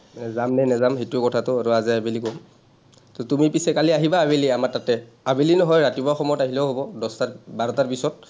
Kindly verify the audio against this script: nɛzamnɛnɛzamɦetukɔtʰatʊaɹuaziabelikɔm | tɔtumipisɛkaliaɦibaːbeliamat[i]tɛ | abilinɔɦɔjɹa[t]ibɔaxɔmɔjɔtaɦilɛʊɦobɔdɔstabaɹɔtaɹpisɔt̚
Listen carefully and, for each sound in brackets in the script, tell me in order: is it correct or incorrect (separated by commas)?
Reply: incorrect, correct